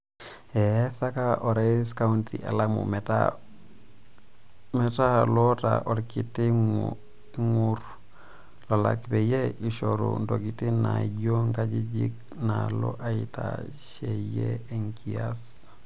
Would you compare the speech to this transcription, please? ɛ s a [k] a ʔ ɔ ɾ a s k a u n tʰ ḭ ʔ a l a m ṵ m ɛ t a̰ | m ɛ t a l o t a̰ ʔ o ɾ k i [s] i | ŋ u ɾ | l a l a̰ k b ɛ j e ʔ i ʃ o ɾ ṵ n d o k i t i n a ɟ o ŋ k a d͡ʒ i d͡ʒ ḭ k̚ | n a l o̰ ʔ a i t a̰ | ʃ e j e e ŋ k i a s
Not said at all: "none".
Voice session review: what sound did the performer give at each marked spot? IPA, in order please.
k, t

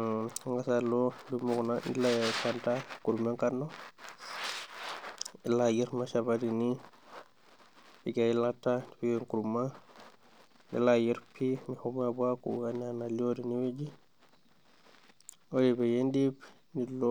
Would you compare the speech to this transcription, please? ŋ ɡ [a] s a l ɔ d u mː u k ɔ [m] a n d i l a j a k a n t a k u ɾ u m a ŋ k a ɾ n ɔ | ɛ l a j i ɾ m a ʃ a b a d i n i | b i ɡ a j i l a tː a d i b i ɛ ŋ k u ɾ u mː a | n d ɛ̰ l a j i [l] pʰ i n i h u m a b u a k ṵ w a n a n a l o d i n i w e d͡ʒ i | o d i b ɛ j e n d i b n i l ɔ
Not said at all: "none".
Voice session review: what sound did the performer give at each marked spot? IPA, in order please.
a, n, ɾ

